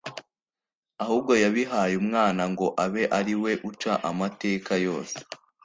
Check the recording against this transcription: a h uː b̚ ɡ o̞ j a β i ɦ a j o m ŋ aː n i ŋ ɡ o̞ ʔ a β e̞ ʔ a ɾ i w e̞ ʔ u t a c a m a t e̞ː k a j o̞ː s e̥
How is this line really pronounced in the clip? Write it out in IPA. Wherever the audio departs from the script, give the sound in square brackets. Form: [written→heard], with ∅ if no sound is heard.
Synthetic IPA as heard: a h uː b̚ ɡ o̞ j a β i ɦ a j [o→u] m ŋ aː n [i→a] ŋ ɡ o̞ ʔ a β e̞ ʔ a ɾ i w e̞ ʔ u [t→t͡ʃ] a [c→ʔ] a m a t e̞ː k a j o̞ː s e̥